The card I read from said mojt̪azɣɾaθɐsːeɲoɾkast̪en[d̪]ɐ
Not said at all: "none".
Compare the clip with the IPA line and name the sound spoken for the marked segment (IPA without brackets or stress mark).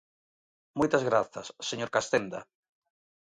d̪